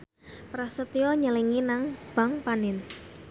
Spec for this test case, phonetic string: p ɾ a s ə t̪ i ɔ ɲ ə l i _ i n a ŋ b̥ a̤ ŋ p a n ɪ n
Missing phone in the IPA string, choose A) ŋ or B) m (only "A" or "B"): A